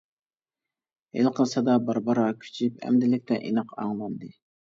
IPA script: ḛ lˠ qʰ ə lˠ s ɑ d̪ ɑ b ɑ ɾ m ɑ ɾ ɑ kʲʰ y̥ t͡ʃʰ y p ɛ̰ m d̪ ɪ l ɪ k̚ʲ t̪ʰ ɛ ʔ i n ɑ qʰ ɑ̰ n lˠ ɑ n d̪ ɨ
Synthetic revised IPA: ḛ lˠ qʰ ə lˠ s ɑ d̪ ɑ b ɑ ɾ b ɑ ɾ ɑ kʲʰ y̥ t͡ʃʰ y p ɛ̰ m d̪ ɪ l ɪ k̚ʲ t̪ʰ ɛ ʔ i n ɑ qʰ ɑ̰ ŋ lˠ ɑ n d̪ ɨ